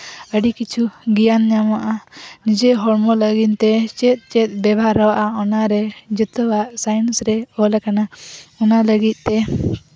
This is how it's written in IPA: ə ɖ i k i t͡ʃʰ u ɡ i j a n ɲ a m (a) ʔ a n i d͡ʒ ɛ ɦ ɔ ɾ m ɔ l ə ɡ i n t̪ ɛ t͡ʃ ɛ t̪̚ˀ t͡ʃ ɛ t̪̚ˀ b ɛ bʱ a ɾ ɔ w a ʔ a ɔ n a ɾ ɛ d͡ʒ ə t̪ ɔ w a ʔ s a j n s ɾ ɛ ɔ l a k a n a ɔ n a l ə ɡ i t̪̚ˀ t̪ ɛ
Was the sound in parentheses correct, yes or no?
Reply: yes